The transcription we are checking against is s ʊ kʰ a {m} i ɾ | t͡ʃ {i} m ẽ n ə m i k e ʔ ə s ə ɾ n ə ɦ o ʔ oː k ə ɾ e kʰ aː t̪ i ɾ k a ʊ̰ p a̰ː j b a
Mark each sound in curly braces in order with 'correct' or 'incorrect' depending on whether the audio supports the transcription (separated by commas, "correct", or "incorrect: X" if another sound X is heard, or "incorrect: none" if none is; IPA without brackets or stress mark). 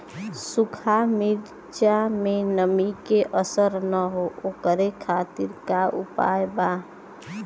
correct, incorrect: a